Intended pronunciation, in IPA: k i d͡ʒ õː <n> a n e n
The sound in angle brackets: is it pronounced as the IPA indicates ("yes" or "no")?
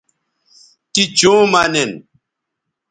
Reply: no